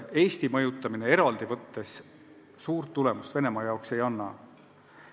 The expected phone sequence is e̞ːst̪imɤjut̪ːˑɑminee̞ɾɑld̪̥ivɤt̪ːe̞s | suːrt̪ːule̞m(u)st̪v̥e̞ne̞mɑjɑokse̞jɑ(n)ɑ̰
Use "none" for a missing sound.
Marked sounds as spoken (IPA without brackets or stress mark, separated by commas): u, nː